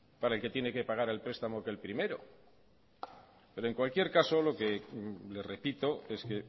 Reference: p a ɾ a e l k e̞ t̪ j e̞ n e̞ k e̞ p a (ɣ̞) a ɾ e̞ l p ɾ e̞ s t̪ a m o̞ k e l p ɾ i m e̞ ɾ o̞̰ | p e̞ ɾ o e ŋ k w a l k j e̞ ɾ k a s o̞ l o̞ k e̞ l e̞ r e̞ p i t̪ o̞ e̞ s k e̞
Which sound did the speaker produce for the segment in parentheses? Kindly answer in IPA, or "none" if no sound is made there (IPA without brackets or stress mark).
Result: ɣ̞